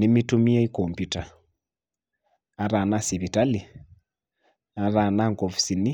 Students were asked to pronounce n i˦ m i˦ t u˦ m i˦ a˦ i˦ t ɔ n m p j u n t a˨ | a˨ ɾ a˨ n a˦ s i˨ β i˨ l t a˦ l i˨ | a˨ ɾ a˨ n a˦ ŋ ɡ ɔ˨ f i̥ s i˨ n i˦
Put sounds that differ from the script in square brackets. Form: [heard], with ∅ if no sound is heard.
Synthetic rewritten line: n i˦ m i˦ t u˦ m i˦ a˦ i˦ [k] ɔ [∅] m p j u [∅] t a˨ | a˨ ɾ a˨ n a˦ s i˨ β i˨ [∅] t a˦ l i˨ | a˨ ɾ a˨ n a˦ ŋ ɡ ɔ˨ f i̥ s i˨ n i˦